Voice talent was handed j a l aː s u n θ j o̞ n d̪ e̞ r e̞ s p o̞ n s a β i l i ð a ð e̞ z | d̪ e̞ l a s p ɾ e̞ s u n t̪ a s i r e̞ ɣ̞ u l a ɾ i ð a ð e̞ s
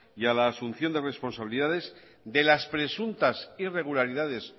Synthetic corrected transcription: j a l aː s u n θ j o̞ n d̪ e̞ r e̞ s p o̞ n s a β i l i ð a ð e̞ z | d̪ e̞ l a s p ɾ e̞ s u n t̪ a s i r e̞ ɣ̞ u l a ɾ i ð a ð e̞ s